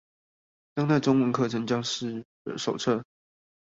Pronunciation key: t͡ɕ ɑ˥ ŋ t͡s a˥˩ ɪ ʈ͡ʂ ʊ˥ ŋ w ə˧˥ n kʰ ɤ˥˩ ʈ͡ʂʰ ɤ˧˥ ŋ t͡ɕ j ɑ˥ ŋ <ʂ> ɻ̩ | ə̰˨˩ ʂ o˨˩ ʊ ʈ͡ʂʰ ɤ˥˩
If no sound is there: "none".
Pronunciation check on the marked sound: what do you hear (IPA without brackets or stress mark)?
ʂ